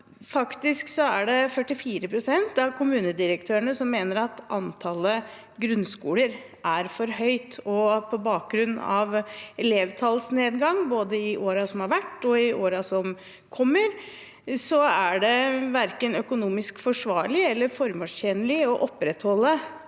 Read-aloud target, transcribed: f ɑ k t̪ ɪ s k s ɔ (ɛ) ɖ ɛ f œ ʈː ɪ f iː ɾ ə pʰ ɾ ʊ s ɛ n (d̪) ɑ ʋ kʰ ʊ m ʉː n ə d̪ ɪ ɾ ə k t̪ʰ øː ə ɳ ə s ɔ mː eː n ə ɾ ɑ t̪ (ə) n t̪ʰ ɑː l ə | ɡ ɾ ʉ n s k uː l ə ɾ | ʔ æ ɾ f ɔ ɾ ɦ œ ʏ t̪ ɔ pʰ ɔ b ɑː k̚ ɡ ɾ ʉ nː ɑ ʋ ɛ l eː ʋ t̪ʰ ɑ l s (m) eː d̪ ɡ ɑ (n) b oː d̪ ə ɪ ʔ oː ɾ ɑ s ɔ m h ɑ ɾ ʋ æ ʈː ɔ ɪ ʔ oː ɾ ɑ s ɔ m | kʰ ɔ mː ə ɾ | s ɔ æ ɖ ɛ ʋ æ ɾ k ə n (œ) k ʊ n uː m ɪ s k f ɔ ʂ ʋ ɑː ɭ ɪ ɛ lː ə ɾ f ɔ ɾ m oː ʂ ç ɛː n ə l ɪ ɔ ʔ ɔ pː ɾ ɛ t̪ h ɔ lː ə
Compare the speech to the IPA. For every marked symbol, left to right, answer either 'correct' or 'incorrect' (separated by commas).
incorrect, incorrect, incorrect, incorrect, incorrect, correct